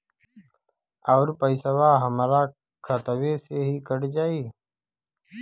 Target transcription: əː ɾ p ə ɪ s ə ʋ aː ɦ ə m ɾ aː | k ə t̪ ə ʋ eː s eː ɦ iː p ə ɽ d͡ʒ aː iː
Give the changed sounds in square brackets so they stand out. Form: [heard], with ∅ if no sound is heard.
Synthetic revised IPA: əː ɾ p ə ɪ s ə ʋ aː ɦ ə m ɾ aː | [kʰ] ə t̪ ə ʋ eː s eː ɦ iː [k] ə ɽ d͡ʒ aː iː